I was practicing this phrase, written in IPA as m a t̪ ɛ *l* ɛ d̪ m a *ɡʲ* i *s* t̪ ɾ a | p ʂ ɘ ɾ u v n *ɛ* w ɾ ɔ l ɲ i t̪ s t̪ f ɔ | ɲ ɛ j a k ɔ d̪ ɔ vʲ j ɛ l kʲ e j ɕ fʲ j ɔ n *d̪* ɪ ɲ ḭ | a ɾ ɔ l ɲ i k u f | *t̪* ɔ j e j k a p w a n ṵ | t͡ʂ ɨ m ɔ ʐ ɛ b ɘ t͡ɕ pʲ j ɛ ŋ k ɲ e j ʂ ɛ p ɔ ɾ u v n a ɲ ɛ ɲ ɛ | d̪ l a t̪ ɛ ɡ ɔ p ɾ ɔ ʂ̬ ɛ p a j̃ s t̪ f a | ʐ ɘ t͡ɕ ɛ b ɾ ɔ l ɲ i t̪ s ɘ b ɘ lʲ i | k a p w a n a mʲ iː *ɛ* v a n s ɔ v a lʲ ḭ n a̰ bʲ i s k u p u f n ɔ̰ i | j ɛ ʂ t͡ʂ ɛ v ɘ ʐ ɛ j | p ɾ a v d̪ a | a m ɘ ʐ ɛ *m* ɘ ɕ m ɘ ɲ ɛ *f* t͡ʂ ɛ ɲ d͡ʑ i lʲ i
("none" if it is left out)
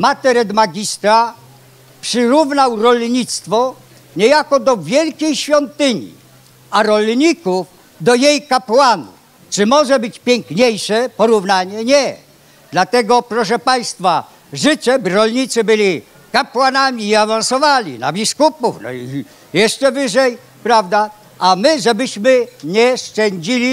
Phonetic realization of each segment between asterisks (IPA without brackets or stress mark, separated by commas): ɾ, ɡʲ, s, a, t̪, d̪, a, b, ʂ